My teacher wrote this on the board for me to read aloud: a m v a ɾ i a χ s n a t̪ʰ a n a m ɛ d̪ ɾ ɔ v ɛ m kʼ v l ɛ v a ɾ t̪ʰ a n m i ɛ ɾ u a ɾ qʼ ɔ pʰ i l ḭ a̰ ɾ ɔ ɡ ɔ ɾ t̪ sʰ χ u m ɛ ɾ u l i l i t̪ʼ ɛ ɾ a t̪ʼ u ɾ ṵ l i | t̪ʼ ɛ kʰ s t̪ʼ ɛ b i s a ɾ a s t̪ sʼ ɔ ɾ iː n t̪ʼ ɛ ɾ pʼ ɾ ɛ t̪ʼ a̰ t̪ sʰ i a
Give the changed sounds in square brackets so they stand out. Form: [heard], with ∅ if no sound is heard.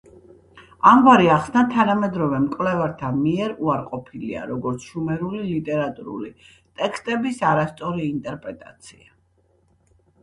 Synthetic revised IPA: a m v a ɾ i a χ s n a t̪ʰ a n a m ɛ d̪ ɾ ɔ v ɛ m kʼ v l ɛ v a ɾ t̪ʰ a n m i ɛ ɾ u a ɾ qʼ ɔ pʰ i l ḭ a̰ ɾ ɔ ɡ ɔ ɾ t̪ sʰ [ʃ] u m ɛ ɾ u l i l i t̪ʼ ɛ ɾ a t̪ʼ u ɾ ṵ l i | t̪ʼ ɛ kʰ s t̪ʼ ɛ b i s a ɾ a s t̪ sʼ ɔ ɾ iː n t̪ʼ ɛ ɾ pʼ ɾ ɛ t̪ʼ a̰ t̪ sʰ i a